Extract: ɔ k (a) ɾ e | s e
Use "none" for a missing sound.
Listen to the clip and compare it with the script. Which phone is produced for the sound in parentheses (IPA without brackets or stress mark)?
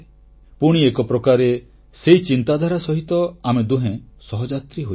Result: a